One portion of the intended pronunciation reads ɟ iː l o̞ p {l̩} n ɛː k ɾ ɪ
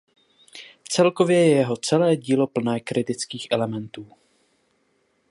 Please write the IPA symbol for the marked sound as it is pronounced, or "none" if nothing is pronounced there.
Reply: l̩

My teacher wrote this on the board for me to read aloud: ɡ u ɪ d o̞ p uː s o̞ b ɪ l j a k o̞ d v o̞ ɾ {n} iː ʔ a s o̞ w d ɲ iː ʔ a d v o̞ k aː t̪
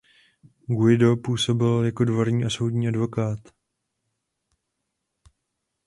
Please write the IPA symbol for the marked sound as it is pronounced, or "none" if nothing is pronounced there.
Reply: ɲ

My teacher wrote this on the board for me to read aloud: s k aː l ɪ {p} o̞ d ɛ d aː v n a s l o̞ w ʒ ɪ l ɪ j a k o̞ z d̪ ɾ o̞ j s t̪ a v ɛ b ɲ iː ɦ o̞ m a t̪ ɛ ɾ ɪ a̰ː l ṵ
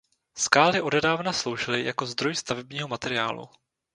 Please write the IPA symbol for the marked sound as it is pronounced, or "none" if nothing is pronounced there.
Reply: ʔ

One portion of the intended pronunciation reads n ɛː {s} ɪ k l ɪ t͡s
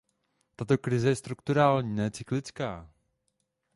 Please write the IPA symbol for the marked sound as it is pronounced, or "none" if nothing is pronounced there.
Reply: t͡s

